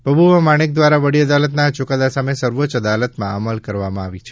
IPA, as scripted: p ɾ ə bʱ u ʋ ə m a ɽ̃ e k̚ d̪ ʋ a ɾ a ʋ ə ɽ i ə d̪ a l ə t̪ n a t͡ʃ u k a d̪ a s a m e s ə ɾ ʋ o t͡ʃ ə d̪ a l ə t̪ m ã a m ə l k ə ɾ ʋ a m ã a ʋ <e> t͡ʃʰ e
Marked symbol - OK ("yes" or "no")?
no